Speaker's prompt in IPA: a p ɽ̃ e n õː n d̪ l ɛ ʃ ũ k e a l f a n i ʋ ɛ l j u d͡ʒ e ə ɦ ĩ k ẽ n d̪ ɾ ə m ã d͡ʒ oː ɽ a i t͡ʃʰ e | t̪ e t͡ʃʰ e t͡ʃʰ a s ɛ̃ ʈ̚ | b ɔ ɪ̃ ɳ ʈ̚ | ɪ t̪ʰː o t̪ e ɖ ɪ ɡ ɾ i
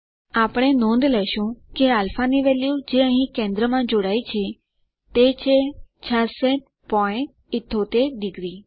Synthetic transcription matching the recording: a p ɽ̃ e n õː n d̪ l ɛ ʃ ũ k e a l f a n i ʋ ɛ l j u d͡ʒ e ə ɦ ĩ k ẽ n d̪ ɾ ə m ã d͡ʒ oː ɽ a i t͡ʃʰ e | t̪ e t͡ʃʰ e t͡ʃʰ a s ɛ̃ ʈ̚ | p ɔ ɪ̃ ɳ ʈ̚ | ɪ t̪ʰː o t̪ e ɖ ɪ ɡ ɾ i